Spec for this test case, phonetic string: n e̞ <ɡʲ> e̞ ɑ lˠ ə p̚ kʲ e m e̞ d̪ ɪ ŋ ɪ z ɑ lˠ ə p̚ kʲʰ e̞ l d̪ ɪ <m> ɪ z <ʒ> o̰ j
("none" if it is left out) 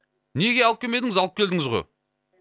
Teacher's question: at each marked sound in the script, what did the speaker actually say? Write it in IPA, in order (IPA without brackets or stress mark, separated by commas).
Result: ɡʲ, ŋ, ʁ